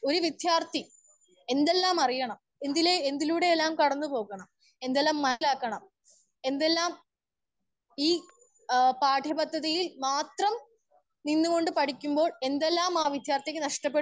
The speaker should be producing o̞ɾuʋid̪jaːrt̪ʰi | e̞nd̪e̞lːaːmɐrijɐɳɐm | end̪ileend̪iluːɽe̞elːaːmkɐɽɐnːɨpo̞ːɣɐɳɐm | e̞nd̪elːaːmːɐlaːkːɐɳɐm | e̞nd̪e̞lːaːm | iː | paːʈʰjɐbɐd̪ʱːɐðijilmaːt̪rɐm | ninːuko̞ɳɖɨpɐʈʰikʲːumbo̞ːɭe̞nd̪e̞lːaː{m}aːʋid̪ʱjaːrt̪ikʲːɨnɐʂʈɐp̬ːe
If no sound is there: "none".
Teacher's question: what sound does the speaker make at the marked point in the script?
m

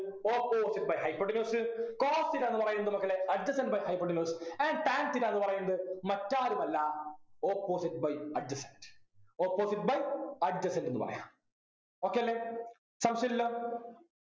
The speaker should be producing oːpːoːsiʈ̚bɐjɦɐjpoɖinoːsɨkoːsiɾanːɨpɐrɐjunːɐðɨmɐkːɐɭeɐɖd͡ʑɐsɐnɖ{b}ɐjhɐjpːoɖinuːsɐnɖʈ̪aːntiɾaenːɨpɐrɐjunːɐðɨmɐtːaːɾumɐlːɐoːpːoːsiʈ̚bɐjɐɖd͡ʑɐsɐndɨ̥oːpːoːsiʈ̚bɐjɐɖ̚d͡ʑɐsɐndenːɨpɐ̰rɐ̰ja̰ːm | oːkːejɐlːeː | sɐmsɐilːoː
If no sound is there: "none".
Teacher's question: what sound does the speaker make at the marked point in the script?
b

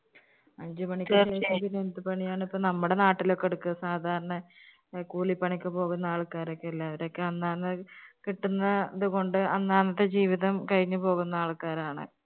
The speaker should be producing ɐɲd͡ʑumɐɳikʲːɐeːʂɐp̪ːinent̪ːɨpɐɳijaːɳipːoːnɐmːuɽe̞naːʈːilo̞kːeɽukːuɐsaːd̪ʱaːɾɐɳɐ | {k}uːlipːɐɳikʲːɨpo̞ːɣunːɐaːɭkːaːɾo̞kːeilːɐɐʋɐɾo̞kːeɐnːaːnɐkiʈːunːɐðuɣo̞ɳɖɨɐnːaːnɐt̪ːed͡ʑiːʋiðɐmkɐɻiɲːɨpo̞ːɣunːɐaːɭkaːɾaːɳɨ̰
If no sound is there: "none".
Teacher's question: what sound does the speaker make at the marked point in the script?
k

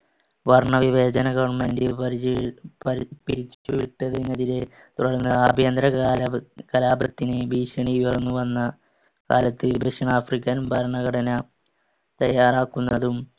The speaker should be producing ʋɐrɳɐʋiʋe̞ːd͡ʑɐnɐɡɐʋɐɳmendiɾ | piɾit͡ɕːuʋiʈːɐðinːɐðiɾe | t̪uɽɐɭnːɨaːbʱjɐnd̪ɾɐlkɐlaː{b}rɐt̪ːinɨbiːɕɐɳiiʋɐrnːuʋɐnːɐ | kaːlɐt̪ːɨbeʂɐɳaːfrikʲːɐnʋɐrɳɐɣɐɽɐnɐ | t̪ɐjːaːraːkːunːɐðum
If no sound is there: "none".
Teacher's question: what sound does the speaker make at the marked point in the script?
b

